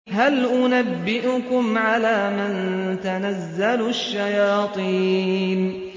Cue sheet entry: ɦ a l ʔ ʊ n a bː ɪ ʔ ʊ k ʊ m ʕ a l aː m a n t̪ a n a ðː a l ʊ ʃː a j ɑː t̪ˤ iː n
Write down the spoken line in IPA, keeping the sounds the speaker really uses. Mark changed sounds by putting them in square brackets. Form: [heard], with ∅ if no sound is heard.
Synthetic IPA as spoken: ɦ a l ʔ ʊ n a bː ɪ ʔ ʊ k ʊ m ʕ a l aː m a n t̪ a n a [zː] a l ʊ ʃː a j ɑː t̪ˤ iː n